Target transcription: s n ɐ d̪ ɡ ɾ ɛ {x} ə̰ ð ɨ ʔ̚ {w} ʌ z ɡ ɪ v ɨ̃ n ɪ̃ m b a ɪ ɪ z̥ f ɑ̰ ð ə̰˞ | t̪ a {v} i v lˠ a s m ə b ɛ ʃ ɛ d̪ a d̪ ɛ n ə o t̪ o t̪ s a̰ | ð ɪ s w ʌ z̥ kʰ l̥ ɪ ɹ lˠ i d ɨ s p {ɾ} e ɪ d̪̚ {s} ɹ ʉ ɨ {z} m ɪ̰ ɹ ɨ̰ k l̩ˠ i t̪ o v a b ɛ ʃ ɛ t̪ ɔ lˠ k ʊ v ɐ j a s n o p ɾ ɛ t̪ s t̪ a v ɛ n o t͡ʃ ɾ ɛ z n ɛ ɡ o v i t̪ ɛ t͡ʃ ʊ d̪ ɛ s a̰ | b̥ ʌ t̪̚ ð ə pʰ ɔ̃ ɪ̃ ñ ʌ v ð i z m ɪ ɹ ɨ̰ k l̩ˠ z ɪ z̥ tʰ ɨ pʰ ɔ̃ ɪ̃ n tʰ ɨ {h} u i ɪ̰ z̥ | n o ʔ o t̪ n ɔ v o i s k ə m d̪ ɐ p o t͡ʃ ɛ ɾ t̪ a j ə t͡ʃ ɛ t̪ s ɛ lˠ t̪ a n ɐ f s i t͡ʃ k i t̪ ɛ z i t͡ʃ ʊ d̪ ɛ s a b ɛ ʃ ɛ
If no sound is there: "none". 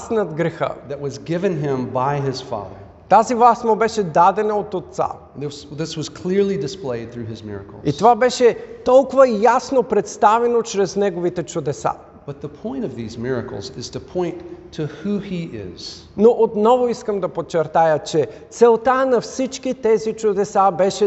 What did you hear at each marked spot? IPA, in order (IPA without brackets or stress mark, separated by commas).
x, w, z, l, θ, z, h